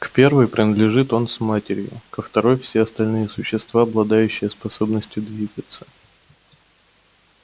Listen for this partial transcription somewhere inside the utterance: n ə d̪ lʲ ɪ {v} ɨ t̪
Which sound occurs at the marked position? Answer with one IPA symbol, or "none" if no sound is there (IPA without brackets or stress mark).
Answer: ʐ